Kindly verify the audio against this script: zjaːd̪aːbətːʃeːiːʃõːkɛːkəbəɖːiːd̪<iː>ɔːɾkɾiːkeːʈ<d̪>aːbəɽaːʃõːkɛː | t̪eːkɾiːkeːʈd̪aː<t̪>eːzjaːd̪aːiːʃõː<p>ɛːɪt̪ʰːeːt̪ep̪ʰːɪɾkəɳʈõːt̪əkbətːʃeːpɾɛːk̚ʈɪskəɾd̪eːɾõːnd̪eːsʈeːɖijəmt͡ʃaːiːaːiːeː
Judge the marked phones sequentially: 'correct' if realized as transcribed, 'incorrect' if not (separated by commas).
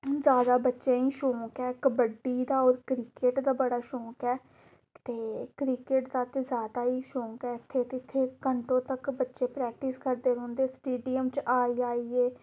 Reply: incorrect, correct, correct, incorrect